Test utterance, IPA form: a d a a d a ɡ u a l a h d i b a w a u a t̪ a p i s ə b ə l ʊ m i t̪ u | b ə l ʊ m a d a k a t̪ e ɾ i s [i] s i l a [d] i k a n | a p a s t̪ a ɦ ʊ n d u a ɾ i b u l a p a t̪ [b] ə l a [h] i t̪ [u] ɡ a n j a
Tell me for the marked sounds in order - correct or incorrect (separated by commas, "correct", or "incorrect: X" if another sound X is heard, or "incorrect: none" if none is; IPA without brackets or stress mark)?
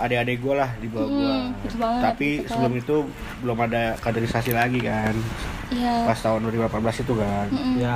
incorrect: a, incorrect: ɡ, correct, incorrect: s, correct